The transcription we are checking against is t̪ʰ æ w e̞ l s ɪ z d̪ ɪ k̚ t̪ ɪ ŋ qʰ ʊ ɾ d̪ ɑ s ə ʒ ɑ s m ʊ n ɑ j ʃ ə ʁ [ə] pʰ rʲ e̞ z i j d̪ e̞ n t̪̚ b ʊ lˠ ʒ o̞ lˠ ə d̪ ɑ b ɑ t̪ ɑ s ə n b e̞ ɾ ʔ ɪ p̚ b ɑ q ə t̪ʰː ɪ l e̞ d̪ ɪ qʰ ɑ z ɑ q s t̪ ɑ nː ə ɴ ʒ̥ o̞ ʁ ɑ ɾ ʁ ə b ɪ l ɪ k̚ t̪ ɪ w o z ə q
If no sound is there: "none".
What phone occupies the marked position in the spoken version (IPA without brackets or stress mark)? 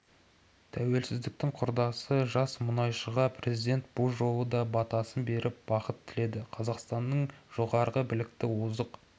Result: ɑ